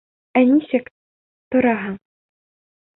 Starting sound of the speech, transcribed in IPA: æ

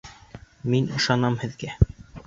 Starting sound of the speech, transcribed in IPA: m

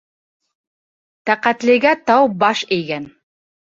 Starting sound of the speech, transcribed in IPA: t̪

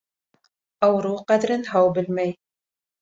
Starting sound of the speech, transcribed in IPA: ʔ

